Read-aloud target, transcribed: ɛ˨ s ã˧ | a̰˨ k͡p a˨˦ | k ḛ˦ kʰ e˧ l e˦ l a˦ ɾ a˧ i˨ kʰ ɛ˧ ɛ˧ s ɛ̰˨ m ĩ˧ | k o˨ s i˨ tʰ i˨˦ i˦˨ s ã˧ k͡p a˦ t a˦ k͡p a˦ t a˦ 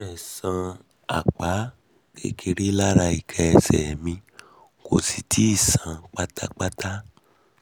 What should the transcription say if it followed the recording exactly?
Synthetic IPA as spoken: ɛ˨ s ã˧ | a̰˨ k͡p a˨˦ | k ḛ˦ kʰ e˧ ɾ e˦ l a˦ ɾ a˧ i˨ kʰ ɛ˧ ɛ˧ s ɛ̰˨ m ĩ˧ | k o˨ s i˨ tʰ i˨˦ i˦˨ s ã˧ k͡p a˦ t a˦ k͡p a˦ t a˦

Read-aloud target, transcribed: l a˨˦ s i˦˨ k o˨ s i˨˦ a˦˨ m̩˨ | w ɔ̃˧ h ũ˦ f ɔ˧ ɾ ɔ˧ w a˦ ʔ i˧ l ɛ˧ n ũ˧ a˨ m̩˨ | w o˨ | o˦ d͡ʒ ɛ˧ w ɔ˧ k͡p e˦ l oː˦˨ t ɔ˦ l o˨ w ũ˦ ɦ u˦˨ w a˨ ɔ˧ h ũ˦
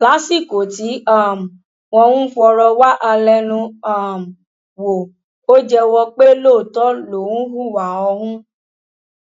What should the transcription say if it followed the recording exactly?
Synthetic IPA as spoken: l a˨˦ s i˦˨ k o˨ t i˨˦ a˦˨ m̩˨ | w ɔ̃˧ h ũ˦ f ɔ˧ ɾ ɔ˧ w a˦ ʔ a˧ l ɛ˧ n ũ˧ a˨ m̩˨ | w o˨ | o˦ d͡ʒ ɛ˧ w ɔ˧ k͡p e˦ l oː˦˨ t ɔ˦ l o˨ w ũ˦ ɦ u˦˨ w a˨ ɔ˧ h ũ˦

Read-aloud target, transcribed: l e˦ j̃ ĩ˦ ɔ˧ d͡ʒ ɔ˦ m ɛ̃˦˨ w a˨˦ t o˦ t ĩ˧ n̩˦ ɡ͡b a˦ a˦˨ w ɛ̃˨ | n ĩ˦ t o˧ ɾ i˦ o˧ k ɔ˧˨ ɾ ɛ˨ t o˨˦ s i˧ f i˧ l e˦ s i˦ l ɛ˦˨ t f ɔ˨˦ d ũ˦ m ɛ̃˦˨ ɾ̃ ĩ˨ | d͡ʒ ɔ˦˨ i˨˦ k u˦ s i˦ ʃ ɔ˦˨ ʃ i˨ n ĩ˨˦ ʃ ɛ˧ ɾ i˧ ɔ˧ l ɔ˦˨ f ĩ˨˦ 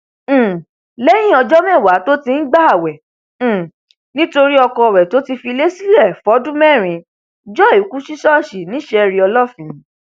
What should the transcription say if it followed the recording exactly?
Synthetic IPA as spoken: l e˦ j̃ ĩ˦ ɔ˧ d͡ʒ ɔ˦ m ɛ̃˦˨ w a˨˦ t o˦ t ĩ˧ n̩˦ ɡ͡b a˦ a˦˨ w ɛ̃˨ | n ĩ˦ t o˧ ɾ i˦ ɔ˧ k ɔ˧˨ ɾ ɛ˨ t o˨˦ t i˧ f i˧ l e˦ s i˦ l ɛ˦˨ f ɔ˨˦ d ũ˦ m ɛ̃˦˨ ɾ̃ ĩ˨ | d͡ʒ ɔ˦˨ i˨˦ k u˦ ʃ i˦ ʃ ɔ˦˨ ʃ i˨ n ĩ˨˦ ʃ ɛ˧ ɾ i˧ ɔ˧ l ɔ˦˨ f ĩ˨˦

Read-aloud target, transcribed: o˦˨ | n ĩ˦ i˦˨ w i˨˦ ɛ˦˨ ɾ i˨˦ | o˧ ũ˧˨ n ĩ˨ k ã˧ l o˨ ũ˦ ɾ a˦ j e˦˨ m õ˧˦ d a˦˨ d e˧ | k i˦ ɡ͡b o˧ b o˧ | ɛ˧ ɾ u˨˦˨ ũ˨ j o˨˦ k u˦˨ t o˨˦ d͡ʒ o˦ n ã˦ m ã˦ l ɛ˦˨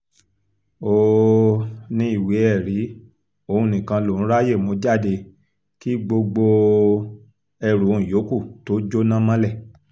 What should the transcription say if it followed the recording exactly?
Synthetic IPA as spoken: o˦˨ | n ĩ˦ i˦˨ w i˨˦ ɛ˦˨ ɾ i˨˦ | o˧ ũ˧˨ n ĩ˨ k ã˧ l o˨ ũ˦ ɾ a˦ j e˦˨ m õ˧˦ d͡ʒ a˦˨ d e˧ | k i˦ ɡ͡b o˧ ɡ͡b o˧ | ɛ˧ ɾ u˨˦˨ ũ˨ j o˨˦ k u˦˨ t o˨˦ d͡ʒ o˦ n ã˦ m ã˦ l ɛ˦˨

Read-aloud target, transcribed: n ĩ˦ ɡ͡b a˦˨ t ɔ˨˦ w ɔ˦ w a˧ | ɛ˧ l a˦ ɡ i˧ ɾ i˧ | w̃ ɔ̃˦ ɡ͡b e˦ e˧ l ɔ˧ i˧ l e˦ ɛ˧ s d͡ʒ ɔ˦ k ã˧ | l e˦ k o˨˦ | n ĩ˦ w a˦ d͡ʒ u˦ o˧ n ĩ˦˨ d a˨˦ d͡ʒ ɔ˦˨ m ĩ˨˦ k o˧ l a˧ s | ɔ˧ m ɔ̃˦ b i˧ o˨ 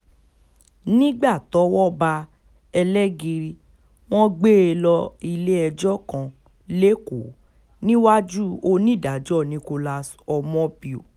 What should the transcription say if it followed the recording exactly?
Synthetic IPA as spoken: n ĩ˦ ɡ͡b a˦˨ t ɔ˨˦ w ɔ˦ b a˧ | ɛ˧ l ɛ˦ ɡ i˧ ɾ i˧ | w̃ ɔ̃˦ ɡ͡b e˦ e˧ l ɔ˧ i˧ l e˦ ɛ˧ d͡ʒ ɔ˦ k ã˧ | l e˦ k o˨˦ | n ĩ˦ w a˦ d͡ʒ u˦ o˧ n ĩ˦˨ d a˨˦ d͡ʒ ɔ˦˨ n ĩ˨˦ k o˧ l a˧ s | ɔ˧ m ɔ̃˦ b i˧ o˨

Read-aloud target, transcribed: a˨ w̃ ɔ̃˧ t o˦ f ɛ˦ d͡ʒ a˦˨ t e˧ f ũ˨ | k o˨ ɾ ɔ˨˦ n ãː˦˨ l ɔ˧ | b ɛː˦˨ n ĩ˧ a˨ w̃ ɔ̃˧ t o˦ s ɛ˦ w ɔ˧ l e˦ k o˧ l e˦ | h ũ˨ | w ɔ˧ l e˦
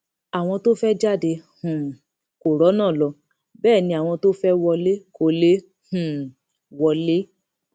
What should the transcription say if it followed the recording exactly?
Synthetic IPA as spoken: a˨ w̃ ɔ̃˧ t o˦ f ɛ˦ d͡ʒ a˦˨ d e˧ h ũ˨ | k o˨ ɾ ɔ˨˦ n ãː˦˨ l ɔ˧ | b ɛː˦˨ n ĩ˧ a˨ w̃ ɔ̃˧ t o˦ f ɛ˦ w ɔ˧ l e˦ k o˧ l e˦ | h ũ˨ | w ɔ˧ l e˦

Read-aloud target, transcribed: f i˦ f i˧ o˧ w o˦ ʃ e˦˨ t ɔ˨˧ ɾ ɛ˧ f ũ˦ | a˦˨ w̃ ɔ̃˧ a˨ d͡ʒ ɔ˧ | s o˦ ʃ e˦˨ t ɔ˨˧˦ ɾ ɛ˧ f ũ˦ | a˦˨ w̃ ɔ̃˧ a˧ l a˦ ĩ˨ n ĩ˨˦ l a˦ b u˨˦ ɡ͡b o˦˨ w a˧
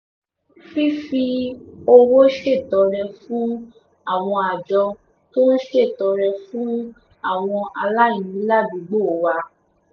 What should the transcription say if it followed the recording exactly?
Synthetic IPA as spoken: f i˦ f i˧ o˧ w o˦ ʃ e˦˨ t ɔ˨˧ ɾ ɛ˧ f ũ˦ | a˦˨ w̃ ɔ̃˧ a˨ d͡ʒ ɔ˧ | t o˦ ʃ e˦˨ t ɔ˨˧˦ ɾ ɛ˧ f ũ˦ | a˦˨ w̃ ɔ̃˧ a˧ l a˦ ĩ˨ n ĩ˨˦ l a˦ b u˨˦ ɡ͡b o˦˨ w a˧

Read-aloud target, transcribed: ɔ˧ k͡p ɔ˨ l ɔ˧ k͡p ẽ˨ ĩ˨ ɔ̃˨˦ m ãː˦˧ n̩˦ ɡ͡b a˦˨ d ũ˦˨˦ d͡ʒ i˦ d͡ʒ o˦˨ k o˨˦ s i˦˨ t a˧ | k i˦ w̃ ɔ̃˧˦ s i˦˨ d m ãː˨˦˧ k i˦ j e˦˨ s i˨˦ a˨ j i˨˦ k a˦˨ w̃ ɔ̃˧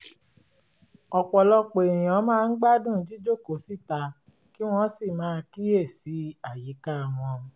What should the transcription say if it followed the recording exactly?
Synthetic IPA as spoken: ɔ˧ k͡p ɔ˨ l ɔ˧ k͡p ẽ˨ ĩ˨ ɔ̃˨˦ m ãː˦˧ n̩˦ ɡ͡b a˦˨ d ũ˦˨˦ d͡ʒ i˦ d͡ʒ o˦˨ k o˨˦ s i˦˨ t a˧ | k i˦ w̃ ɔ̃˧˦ s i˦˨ m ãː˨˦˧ k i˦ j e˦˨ s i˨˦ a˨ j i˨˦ k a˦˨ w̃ ɔ̃˧

